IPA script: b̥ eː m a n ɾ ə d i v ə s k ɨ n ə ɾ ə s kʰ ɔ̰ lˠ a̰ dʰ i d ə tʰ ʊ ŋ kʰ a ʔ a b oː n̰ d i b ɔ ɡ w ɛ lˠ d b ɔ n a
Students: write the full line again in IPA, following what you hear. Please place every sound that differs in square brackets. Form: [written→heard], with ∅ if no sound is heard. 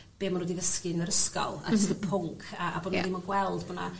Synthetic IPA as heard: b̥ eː m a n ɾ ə d i v ə s k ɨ n ə ɾ ə s [kʰ→k] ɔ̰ lˠ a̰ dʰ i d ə [tʰ→pʰ] ʊ ŋ kʰ a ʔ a b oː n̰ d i [b→m] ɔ ɡ w ɛ lˠ d b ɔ n a